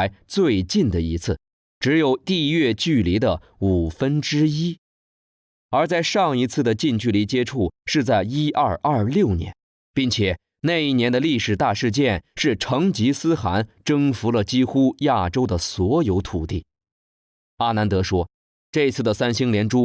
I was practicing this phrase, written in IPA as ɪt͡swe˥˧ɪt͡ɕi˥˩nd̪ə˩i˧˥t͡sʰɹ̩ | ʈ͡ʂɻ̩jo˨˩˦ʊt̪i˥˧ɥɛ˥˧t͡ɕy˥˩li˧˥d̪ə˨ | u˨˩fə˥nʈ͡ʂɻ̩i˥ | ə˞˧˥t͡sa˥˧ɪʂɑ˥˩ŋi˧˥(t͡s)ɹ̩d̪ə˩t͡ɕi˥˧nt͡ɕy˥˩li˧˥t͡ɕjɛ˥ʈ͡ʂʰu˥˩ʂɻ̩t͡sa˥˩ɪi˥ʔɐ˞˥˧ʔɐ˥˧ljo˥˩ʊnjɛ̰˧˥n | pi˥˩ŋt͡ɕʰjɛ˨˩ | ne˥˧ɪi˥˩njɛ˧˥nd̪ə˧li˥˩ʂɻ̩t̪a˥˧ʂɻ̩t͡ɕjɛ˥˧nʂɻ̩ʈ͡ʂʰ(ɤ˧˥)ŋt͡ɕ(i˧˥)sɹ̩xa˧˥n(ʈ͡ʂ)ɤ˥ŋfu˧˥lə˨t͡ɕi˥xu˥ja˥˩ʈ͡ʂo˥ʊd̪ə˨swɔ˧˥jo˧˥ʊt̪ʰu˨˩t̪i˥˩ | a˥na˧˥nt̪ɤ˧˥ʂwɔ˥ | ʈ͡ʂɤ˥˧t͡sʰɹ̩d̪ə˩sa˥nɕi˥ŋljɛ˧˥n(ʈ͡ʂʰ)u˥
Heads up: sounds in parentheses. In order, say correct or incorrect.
incorrect: t͡sʰ, correct, correct, correct, incorrect: ʈ͡ʂ

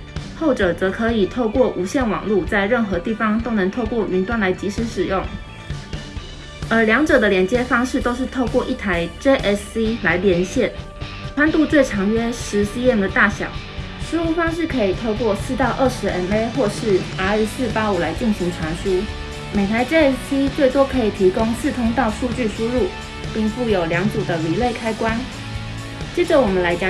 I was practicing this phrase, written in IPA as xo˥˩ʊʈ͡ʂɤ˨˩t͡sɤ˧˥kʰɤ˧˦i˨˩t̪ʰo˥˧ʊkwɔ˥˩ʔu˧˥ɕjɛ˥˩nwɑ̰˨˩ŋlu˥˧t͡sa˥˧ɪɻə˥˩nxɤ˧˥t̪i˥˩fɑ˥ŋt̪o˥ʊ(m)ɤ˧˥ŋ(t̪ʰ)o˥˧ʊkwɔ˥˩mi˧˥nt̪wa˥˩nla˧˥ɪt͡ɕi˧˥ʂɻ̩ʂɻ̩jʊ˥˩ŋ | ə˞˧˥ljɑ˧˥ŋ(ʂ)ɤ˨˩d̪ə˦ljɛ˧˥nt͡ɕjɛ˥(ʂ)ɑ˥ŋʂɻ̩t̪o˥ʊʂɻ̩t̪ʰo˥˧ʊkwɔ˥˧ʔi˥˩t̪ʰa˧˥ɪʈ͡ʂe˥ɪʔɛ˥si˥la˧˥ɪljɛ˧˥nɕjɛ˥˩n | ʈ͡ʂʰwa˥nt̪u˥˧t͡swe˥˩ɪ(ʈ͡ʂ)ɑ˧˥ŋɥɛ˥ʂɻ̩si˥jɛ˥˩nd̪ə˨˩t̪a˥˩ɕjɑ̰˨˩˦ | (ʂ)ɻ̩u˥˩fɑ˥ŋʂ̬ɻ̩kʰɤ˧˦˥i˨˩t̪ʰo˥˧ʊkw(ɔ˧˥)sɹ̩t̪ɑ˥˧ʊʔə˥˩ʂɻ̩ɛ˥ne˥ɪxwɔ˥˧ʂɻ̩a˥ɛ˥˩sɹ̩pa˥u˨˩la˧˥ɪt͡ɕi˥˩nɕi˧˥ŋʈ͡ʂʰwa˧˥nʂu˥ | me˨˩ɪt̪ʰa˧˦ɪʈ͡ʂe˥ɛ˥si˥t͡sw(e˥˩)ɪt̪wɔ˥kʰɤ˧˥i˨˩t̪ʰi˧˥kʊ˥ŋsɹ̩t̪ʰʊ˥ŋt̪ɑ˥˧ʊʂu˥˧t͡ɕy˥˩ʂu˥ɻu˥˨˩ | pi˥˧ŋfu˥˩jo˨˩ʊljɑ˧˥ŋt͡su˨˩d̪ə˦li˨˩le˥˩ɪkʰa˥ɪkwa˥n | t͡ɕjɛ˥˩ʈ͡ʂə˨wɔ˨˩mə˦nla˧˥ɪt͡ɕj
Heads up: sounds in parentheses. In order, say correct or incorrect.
incorrect: n, correct, incorrect: ʈ͡ʂ, incorrect: f, incorrect: ʈ͡ʂʰ, correct, incorrect: ɔ˥˧, correct

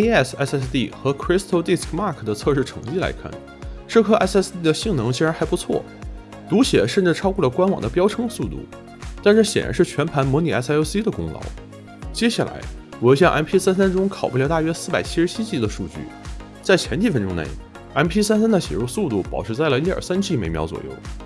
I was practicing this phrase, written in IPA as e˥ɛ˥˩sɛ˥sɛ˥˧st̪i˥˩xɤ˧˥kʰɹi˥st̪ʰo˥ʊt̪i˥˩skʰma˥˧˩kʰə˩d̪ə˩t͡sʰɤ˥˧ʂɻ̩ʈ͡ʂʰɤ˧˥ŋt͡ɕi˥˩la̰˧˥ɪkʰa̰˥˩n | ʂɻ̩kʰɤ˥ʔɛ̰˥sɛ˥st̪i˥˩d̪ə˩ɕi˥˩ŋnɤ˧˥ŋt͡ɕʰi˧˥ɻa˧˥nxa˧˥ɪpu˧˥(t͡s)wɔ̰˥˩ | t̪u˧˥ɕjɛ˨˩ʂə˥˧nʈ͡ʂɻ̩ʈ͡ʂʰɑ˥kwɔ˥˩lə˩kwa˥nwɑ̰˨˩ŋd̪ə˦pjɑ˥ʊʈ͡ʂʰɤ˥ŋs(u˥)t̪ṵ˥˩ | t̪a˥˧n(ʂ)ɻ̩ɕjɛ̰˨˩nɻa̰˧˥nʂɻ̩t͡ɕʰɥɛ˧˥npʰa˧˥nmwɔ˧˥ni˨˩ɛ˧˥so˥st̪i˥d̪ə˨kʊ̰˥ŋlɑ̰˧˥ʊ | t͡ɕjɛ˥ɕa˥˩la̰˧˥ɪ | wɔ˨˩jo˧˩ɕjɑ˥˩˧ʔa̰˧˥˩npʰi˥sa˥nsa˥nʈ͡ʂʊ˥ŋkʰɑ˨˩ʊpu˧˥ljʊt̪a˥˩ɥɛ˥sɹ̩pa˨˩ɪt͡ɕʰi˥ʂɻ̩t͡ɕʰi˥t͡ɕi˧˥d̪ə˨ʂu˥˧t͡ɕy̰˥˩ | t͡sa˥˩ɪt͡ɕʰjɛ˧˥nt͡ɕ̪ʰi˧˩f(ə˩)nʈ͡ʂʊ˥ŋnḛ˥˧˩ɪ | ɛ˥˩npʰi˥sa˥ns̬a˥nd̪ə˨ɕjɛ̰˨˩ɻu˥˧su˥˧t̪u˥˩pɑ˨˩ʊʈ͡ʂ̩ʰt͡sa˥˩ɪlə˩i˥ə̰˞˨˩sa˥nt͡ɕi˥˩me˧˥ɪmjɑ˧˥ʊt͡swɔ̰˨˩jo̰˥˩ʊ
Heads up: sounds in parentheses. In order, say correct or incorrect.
incorrect: t͡sʰ, incorrect: u˥˧, correct, incorrect: ə˥

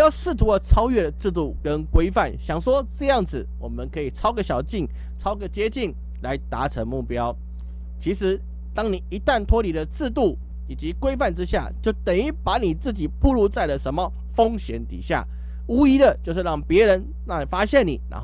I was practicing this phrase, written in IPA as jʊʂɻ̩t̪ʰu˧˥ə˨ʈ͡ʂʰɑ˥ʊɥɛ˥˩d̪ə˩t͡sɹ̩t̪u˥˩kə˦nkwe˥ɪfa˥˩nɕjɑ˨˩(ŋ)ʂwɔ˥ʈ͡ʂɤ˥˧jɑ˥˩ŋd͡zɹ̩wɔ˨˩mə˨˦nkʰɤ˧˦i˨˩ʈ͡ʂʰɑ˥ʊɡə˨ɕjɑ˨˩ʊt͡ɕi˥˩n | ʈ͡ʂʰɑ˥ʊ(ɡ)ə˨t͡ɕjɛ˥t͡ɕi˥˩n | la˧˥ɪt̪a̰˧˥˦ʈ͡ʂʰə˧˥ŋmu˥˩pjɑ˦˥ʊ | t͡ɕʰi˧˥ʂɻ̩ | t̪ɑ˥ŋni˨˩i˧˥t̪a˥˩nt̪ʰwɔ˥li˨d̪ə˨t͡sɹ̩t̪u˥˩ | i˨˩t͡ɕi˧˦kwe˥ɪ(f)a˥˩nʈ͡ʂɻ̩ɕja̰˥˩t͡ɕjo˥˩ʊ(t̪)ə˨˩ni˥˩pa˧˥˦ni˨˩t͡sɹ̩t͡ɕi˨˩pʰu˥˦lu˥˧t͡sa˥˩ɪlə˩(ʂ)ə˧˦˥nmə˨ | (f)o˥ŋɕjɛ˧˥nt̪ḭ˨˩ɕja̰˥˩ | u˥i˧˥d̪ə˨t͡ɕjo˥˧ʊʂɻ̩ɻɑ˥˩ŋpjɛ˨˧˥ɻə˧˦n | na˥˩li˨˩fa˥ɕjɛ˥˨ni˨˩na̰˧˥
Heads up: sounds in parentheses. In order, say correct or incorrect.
correct, correct, correct, correct, correct, correct

